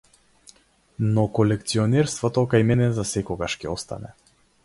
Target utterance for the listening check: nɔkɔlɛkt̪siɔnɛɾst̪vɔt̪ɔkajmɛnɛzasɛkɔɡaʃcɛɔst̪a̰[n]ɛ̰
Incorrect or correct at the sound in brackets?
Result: correct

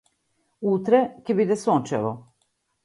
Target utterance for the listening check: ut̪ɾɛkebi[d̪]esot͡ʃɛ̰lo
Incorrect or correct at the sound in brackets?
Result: correct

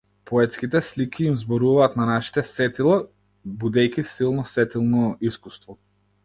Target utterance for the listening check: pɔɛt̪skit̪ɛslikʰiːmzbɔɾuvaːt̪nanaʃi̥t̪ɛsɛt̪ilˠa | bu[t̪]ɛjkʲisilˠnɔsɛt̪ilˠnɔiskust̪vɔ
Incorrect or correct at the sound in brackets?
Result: incorrect: d̪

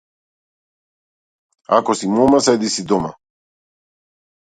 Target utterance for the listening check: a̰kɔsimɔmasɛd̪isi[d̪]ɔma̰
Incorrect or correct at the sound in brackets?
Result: correct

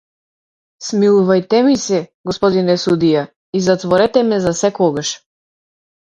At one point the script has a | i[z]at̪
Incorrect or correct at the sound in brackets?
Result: correct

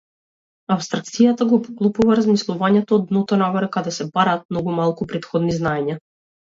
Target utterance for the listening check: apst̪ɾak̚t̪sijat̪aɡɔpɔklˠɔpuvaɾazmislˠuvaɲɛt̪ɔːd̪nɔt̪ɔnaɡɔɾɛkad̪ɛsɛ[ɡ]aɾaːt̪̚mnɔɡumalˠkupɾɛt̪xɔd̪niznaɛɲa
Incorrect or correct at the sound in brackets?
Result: incorrect: b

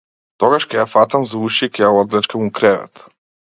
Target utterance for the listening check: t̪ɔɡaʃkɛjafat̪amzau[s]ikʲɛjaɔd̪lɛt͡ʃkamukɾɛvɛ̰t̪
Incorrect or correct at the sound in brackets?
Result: incorrect: ʃ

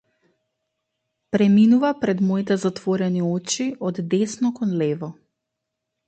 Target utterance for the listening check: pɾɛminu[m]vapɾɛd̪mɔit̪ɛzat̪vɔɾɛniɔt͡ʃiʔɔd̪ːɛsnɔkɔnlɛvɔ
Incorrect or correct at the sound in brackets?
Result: incorrect: none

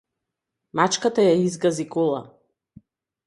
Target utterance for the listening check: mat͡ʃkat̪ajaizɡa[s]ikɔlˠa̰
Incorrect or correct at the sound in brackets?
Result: incorrect: z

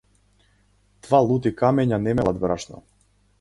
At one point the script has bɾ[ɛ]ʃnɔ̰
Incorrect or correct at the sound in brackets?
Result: incorrect: a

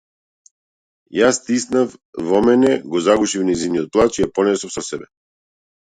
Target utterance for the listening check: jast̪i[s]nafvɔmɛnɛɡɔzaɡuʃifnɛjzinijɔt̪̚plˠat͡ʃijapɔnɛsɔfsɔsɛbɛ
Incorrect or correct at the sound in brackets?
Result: correct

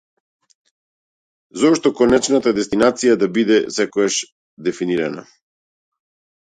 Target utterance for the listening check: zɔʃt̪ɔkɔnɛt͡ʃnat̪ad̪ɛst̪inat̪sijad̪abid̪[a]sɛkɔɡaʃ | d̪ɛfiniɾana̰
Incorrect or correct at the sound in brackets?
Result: incorrect: ɛ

